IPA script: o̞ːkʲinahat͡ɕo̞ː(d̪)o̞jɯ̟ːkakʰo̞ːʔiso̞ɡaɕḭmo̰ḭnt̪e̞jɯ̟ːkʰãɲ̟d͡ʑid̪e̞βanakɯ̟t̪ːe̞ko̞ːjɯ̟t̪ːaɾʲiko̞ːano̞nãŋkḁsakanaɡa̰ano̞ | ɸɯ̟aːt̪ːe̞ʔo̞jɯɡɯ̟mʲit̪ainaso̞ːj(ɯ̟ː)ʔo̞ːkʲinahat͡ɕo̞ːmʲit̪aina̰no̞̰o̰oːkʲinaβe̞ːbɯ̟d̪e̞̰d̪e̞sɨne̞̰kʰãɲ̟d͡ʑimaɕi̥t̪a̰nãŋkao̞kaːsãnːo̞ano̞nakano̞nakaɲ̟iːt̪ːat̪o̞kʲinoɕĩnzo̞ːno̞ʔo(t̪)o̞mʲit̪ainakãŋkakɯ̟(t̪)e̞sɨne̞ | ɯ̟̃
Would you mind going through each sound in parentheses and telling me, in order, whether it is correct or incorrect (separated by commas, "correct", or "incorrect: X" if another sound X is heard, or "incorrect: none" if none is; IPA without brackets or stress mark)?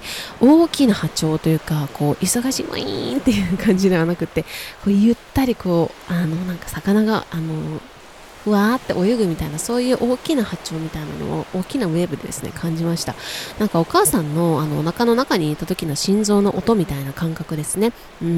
incorrect: t̪, correct, correct, incorrect: d̪